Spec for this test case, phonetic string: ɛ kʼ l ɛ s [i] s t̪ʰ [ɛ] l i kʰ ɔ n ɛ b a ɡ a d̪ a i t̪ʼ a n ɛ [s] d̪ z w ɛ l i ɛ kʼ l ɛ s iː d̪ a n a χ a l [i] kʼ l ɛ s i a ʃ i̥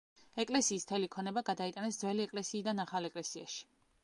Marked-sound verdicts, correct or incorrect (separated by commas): incorrect, correct, correct, incorrect